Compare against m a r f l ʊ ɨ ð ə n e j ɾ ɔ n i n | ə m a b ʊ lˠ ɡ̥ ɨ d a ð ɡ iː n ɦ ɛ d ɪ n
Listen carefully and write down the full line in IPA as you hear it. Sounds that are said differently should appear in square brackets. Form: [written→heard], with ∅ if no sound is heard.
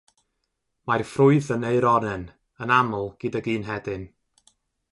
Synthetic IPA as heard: m a r f [l→r] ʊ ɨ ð ə n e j ɾ ɔ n [i→ɛ] n | ə [m→n] a [b→m] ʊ lˠ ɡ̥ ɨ d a [ð→∅] ɡ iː n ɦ ɛ d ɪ n